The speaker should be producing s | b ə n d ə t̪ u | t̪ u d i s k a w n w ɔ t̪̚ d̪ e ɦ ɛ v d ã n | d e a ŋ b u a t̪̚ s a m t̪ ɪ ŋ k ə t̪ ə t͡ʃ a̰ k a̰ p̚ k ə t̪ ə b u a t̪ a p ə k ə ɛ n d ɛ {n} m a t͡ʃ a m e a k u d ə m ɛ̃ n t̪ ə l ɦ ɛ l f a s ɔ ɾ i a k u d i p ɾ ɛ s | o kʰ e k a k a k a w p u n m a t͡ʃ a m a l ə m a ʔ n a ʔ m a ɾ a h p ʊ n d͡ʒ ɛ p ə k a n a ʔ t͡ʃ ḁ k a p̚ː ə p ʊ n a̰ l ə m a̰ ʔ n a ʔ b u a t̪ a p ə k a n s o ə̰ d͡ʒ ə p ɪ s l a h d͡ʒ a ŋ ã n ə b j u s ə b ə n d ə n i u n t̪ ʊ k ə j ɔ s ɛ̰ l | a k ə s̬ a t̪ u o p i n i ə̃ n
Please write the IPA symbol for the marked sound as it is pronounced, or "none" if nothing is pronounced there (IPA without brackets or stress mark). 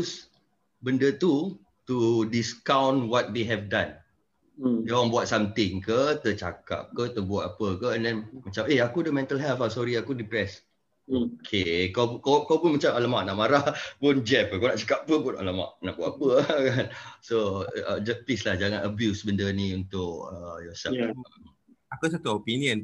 n